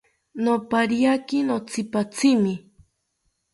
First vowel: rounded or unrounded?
rounded